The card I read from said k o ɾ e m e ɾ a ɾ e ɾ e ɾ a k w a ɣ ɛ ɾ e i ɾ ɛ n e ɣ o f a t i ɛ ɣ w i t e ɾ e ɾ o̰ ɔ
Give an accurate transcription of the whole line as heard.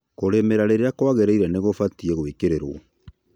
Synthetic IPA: k o ɾ e m e ɾ a ɾ e ɾ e a k w a ɣ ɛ ɾ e i ɾ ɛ n e ɣ o f a t i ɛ ɣ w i k e ɾ e ɾ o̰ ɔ